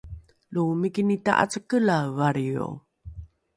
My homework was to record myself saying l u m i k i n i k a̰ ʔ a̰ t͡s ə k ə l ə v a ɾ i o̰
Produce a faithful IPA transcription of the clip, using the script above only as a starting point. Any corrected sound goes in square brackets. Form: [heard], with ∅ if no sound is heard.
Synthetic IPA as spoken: l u m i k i n i [t] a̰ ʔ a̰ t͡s ə k ə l [a] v a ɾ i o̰

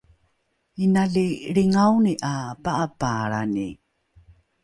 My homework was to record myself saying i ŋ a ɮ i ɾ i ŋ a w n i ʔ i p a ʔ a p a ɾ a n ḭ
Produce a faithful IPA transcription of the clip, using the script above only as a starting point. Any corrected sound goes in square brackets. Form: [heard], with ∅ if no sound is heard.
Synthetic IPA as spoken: i [n] a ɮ i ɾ i ŋ a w n i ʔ [a] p a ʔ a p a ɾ a n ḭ

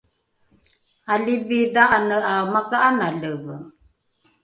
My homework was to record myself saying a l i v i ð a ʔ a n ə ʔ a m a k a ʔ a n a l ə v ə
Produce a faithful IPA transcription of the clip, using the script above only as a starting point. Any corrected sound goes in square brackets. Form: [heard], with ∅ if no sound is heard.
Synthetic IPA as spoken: a l i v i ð a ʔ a n ə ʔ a m a k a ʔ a n a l ə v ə

